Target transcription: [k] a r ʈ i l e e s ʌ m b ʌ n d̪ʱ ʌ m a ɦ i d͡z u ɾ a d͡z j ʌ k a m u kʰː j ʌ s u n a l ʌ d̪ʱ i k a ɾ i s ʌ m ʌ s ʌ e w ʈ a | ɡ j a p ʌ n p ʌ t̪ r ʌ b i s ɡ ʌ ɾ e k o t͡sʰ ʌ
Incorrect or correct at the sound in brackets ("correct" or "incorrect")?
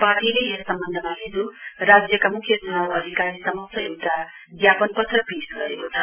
incorrect